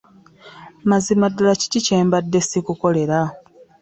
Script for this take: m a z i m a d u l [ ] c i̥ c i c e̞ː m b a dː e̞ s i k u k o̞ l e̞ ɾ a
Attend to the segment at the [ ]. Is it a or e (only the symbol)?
a